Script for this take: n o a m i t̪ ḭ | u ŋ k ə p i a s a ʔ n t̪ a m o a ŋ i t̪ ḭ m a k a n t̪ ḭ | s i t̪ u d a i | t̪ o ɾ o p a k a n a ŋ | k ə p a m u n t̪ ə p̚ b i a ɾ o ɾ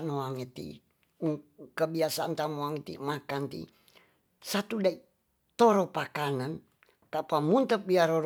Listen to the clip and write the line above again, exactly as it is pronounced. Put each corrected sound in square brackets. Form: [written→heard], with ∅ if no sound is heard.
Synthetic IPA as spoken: n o a [m→ŋ] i t̪ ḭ | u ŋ k ə [p→b] i a s a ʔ n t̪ a m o a ŋ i t̪ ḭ m a k a n t̪ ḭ | s [i→a] t̪ u d a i | t̪ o ɾ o p a k a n a [ŋ→n] | k [ə→a] p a m u n t̪ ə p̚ b i a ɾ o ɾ

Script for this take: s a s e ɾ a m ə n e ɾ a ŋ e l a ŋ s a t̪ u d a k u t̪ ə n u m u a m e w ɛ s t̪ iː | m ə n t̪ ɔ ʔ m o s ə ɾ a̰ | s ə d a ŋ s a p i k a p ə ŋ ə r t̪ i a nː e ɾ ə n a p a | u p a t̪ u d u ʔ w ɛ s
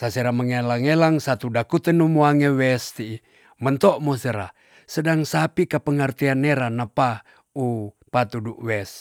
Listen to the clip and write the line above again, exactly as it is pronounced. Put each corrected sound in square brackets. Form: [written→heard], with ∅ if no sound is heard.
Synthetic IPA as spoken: s a s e ɾ a m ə [n→ŋ] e [ɾ→l] a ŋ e l a ŋ s a t̪ u d a k u t̪ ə n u m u a [m→ŋ] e w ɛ s t̪ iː | m ə n t̪ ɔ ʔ m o s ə ɾ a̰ | s ə d a ŋ s a p i k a p ə ŋ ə r t̪ i a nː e ɾ [ə→a] n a p a | u p a t̪ u d u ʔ w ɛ s

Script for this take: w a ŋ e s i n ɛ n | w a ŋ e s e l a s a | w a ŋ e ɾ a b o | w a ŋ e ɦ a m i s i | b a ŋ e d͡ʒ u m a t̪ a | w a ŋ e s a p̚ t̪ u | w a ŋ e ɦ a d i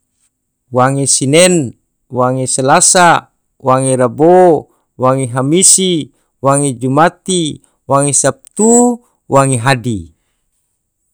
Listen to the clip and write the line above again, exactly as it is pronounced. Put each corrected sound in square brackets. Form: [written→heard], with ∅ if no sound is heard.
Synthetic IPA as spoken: w a ŋ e s i n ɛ n | w a ŋ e s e l a s a | w a ŋ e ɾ a b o | w a ŋ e ɦ a m i s i | [b→w] a ŋ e d͡ʒ u m a t̪ [a→i] | w a ŋ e s a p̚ t̪ u | w a ŋ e ɦ a d i

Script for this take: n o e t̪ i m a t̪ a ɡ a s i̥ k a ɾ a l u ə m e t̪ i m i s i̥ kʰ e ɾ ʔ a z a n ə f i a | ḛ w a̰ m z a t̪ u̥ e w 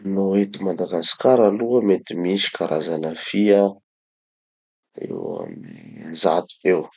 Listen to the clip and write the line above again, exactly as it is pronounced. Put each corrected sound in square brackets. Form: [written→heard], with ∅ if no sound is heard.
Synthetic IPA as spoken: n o e t̪ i m a [t̪→d̪] a ɡ a s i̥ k a ɾ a l u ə m e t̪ i m i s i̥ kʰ [e→a] ɾ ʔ a z a n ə f i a | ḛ w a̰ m z a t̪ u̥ e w

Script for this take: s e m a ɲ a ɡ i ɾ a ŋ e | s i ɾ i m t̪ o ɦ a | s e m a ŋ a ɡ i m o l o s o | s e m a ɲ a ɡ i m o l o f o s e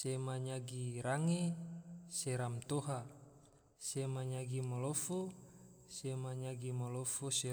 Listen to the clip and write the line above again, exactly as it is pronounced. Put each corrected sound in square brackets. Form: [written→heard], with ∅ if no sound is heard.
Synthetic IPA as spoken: s e m a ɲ a ɡ i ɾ a ŋ e | s [i→e] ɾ [i→a] m t̪ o ɦ a | s e m a [ŋ→ɲ] a ɡ i m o l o [s→f] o | s e m a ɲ a ɡ i m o l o f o s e

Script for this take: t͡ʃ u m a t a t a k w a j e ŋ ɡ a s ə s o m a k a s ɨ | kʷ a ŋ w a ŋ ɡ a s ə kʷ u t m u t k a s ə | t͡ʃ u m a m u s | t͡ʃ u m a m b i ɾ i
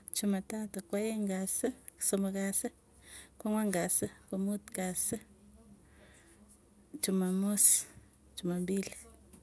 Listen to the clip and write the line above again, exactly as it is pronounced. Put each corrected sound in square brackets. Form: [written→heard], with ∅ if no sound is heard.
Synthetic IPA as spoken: t͡ʃ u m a t a t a k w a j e ŋ ɡ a s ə s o m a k a s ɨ | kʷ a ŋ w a ŋ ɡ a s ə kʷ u [t→∅] m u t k a s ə | t͡ʃ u m a m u s | t͡ʃ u m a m b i [ɾ→l] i

